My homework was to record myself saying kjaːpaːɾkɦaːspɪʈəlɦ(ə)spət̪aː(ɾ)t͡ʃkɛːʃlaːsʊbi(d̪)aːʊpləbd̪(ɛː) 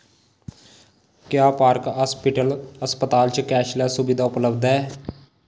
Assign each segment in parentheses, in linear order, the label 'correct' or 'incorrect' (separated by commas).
correct, incorrect, correct, correct